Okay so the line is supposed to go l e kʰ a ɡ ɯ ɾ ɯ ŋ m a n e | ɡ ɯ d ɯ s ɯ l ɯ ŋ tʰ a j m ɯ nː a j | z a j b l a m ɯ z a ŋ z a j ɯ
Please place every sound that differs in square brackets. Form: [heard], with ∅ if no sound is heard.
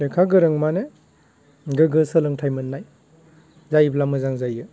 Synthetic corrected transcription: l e kʰ a ɡ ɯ ɾ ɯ ŋ m a n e | ɡ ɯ [ɡ] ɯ s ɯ l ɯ ŋ tʰ a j m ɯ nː a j | z a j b l a m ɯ z a ŋ z a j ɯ